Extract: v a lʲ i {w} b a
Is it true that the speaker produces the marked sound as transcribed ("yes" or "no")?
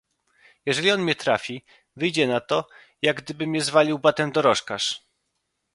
yes